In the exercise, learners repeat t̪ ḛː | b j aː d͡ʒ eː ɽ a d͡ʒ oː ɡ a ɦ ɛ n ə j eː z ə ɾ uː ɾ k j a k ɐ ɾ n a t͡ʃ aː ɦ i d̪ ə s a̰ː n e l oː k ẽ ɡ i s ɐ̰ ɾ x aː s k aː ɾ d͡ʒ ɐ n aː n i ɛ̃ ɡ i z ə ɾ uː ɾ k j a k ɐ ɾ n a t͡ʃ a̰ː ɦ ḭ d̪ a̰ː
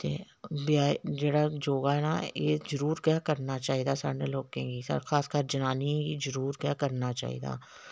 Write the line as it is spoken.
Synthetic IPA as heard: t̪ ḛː | b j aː d͡ʒ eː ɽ a d͡ʒ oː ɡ a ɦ ɛ n a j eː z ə ɾ uː ɾ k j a k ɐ ɾ n a t͡ʃ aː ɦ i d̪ a s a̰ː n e l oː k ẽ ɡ i s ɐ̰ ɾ x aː s k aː ɾ d͡ʒ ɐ n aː n i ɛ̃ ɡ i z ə ɾ uː ɾ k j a k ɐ ɾ n a t͡ʃ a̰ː ɦ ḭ d̪ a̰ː